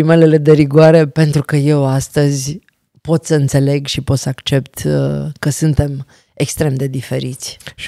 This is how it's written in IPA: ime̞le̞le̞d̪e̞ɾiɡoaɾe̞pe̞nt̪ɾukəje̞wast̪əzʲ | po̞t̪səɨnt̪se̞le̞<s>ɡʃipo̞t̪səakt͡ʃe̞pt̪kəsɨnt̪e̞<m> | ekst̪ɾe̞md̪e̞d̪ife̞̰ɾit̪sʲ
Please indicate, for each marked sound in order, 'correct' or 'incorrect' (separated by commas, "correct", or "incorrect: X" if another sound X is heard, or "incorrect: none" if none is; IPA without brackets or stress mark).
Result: incorrect: none, correct